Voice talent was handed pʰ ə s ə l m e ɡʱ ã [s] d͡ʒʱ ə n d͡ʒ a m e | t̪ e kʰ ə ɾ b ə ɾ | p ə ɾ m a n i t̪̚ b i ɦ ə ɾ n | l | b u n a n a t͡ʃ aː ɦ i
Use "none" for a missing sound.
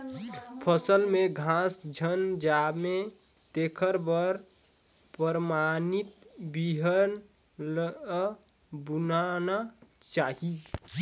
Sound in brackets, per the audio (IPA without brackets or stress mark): s